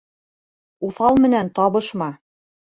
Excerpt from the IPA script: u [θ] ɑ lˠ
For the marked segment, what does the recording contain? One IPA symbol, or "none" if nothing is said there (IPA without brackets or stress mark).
θ